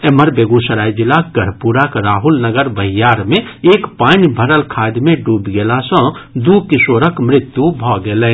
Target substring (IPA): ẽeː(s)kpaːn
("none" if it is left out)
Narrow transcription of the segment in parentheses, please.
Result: none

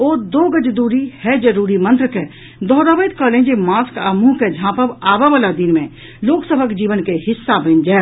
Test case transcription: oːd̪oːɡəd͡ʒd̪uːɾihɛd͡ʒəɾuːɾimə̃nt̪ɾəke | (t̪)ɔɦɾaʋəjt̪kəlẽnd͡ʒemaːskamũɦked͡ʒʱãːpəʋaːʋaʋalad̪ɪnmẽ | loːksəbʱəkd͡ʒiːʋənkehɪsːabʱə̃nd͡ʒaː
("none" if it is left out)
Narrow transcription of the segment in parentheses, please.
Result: d̪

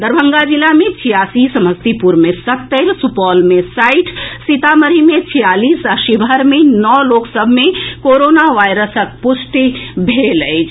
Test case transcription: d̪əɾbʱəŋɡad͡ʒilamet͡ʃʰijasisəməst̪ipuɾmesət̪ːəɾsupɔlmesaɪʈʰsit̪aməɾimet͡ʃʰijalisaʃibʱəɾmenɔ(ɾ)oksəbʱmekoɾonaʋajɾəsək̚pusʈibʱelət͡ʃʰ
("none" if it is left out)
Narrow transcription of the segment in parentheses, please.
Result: l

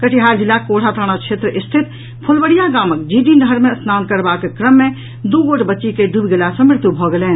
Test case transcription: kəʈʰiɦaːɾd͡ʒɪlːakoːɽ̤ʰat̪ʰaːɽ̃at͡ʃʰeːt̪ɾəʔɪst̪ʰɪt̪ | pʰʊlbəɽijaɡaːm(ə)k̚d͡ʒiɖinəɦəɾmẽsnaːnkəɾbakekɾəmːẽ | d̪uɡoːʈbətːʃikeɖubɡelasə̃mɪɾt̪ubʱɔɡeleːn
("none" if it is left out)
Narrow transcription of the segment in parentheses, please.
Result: ə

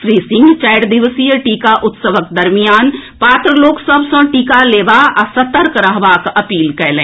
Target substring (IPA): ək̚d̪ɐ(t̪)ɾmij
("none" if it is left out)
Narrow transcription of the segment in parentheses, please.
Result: none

